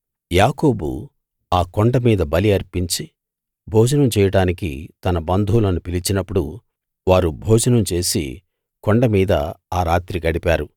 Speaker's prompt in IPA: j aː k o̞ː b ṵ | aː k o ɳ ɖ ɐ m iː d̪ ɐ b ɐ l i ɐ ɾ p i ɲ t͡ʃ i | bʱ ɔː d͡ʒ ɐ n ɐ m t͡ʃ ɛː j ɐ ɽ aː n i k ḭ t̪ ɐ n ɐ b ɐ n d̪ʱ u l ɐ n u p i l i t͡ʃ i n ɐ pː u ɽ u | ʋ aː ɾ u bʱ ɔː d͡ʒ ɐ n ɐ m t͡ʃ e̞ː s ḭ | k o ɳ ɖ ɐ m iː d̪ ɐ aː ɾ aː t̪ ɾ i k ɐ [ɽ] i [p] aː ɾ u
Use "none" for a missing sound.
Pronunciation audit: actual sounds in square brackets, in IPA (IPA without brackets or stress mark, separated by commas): ɽ, p